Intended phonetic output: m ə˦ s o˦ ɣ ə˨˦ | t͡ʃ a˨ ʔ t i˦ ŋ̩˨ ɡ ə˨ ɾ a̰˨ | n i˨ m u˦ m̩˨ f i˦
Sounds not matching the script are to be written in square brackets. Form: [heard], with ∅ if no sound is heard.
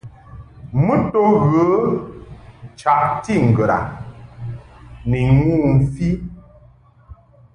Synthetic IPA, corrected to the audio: m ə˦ [t] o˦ ɣ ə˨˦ | t͡ʃ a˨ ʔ t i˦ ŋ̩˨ ɡ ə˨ ɾ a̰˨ | n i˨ [ŋ] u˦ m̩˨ f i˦